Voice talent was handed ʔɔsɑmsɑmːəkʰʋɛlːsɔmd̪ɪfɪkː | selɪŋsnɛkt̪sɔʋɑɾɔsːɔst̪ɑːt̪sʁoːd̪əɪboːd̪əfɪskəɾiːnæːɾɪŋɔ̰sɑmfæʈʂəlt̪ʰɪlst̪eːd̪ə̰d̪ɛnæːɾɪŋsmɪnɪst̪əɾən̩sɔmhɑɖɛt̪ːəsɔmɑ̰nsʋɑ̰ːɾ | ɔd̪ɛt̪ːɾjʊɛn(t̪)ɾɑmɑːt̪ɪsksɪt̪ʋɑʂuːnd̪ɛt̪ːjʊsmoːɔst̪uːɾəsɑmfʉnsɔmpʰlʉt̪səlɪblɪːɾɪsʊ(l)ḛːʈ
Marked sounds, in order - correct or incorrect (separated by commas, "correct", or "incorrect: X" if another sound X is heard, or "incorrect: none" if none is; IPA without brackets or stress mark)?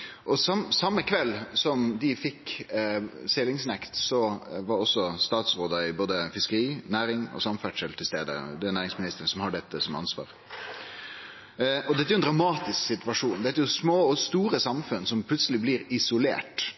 incorrect: d̪, correct